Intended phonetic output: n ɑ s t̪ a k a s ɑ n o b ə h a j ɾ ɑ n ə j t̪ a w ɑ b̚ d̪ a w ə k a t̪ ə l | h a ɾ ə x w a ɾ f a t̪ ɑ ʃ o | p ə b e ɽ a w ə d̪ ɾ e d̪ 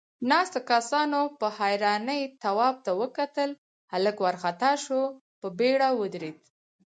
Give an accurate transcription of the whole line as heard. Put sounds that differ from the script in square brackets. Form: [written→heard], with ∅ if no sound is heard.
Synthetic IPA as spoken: n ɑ s t̪ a k a s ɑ n o [b→p] ə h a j ɾ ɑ n ə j t̪ a w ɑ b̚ [d̪→t̪] a w ə k a t̪ ə l | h a [ɾ→l] ə [x→k] w a ɾ [f→x] a t̪ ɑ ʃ o | p ə b e ɽ a w ə d̪ ɾ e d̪

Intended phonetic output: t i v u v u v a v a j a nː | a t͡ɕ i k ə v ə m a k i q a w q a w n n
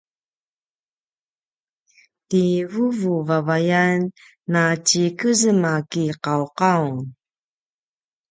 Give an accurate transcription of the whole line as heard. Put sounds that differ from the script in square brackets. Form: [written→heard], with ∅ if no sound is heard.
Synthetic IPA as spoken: t i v u v u v a v a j a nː | a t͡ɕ i k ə [v→z] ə m a k i q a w q a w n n

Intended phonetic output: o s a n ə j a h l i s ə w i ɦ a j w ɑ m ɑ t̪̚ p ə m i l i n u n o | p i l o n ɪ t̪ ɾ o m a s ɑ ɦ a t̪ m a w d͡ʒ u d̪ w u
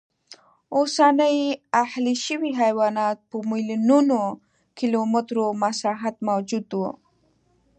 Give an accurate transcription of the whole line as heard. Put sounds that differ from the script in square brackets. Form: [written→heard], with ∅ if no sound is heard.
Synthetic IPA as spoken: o s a n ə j a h l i [s→ʃ] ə w i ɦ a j w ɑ [m→n] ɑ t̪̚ p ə m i l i n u n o | [p→k] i l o [n→m] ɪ t̪ ɾ o m a s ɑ ɦ a t̪ m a w d͡ʒ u d̪ w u

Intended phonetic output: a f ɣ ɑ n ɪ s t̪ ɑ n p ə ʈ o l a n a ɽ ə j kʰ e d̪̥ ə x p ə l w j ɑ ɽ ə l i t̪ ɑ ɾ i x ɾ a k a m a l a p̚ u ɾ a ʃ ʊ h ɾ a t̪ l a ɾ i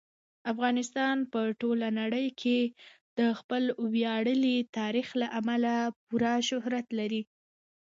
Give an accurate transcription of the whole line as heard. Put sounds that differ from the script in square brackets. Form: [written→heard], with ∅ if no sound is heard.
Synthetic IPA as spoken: a f ɣ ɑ n ɪ s t̪ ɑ n p ə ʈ o l a n a ɽ ə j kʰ e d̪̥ ə x p ə l w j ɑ ɽ ə l i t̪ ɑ ɾ i x [ɾ→l] a [k→ʔ] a m a l a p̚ u ɾ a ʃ ʊ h ɾ a t̪ l a ɾ i

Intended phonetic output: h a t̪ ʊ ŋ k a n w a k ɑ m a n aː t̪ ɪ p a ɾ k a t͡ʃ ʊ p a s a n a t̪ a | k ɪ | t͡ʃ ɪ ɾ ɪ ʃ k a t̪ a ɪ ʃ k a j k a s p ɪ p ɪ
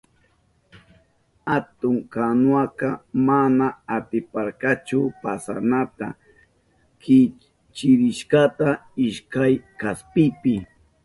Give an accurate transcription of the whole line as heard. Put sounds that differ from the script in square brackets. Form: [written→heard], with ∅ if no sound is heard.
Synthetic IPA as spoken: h a t̪ ʊ ŋ k a n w a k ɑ m a n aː t̪ ɪ p a ɾ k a t͡ʃ ʊ p a s a n a t̪ a | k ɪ | t͡ʃ ɪ ɾ ɪ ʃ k a t̪ a ɪ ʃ k a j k a s p ɪ p ɪ

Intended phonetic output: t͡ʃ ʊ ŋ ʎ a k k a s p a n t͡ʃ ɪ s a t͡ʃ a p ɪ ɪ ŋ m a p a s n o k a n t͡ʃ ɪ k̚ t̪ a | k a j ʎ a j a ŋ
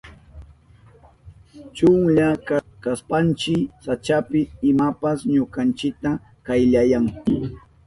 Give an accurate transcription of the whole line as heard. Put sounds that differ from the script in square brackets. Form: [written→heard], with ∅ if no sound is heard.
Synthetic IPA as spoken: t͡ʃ ʊ ŋ ʎ a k k a s p a n t͡ʃ ɪ s a t͡ʃ a p ɪ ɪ [ŋ→∅] m a p a s [n→ɲ] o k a n t͡ʃ ɪ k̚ t̪ a | k a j ʎ a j a ŋ

